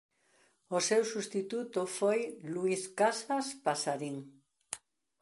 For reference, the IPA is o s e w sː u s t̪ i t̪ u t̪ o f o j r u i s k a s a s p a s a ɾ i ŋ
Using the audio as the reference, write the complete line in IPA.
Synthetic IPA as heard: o s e w s u s t̪ i t̪ u t̪ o f o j l u i s k a s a s p a s a ɾ i ŋ